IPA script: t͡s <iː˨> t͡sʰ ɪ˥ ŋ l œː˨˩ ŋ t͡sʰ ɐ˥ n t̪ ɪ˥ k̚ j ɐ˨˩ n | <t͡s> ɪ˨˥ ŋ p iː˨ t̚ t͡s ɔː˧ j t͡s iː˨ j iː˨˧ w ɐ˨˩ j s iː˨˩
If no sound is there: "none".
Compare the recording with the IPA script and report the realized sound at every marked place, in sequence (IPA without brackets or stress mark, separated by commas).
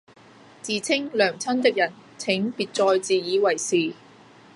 iː˨, t͡sʰ